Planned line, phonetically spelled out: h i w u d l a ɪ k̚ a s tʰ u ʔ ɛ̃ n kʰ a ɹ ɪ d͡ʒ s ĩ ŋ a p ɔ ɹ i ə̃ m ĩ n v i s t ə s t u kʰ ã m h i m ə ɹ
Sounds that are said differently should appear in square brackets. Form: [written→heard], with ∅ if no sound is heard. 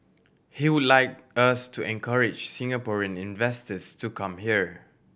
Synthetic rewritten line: h i w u d l a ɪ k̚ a s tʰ u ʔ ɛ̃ n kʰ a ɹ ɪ d͡ʒ s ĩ ŋ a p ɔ ɹ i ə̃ [m→n] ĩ n v [i→ɛ] s t ə s t u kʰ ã m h i [m→∅] ə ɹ